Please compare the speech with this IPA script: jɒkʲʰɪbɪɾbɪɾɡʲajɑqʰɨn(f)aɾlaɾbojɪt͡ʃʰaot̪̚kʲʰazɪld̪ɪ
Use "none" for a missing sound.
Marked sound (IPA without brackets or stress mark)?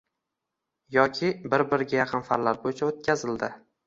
f